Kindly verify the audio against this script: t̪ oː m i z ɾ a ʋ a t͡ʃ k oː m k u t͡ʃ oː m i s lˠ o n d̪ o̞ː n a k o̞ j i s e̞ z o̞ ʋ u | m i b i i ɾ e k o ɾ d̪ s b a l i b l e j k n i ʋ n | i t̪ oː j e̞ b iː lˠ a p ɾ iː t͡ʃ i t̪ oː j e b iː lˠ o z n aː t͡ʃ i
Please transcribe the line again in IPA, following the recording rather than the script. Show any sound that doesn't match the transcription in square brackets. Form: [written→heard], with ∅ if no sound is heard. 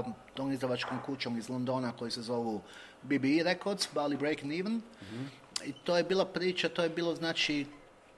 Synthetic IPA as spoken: t̪ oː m i z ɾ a ʋ a t͡ʃ k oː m k u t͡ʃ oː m i [s→z] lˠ o n d̪ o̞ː n a k o̞ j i s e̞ z o̞ ʋ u | [m→b] i b i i ɾ e k o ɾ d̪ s b a l i b [l→ɾ] e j k n i ʋ n | i t̪ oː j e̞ b iː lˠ a p ɾ iː t͡ʃ [i→a] t̪ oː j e b iː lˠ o z n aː t͡ʃ i